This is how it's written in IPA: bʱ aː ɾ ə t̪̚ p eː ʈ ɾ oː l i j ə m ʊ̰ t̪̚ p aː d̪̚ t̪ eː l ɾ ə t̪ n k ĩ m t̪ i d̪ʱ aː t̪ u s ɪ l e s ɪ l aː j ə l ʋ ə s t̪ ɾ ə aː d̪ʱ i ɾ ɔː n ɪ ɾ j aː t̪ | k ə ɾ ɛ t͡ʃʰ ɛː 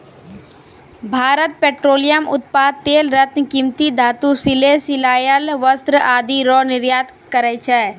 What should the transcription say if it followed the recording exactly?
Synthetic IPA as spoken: bʱ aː ɾ ə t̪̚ p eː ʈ ɾ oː l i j ə m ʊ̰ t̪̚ p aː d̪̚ t̪ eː l ɾ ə t̪ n k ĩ m t̪ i d̪ʱ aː t̪ u s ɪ l e s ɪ l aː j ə l ʋ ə s t̪ ɾ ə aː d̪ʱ i ɾ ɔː n ɪ ɾ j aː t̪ | k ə ɾ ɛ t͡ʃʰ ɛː